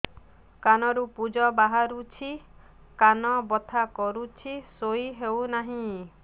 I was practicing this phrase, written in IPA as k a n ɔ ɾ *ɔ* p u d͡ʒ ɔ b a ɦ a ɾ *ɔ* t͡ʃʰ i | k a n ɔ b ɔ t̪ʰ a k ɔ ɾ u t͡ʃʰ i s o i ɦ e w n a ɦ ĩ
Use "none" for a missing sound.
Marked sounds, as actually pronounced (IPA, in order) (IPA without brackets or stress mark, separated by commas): u, u